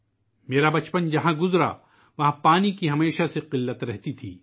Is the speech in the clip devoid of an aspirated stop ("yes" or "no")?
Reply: no